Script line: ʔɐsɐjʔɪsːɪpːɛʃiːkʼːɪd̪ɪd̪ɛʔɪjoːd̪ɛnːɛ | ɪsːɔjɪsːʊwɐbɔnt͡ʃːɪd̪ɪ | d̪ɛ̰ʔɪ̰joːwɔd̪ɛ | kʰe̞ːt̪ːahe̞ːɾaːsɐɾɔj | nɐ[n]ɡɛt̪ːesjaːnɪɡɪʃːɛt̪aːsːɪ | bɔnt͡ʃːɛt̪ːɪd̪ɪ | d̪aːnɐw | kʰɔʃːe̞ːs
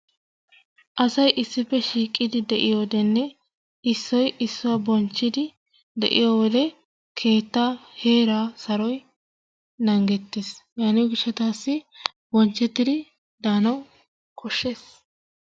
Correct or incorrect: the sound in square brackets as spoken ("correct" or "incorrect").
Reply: incorrect